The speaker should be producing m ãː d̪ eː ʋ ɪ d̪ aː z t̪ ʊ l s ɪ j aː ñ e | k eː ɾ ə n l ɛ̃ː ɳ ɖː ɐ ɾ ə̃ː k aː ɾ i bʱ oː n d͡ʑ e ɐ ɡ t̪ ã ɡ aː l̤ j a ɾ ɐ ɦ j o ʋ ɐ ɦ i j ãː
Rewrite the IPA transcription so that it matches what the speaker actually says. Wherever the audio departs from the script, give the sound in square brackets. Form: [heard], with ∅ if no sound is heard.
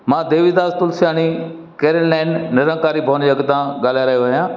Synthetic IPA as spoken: m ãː d̪ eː ʋ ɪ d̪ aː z t̪ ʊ l s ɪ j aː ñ [i] | k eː ɾ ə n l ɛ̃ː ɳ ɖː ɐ ɾ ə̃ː k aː ɾ i bʱ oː n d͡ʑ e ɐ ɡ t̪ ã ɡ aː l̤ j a ɾ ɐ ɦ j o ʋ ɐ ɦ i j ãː